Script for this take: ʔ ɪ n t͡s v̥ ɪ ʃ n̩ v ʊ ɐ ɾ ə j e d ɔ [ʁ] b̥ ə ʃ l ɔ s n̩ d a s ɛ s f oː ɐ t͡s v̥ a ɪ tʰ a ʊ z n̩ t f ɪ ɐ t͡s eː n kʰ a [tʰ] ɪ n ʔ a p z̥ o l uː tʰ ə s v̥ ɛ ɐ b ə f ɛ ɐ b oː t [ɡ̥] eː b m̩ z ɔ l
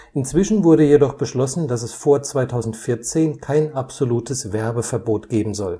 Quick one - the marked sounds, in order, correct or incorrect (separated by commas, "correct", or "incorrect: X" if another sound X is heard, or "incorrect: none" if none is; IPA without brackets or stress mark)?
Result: incorrect: χ, incorrect: none, correct